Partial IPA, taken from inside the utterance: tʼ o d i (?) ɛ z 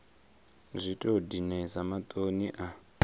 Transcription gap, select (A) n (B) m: A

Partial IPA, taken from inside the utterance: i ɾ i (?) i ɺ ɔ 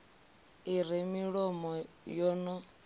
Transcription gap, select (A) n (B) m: B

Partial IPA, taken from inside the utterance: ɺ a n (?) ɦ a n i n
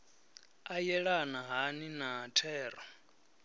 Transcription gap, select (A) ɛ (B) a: B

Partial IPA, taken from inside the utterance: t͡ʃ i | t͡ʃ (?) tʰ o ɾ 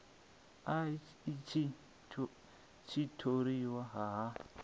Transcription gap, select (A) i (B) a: A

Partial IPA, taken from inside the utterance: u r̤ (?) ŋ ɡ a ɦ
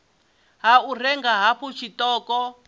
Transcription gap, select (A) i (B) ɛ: B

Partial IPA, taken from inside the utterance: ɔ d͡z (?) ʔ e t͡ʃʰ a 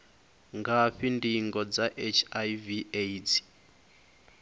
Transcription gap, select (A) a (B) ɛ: A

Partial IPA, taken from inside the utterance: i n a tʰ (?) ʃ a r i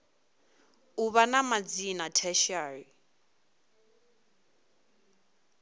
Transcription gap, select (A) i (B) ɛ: B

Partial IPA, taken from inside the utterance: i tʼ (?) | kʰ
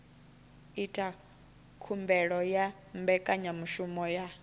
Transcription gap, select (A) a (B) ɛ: A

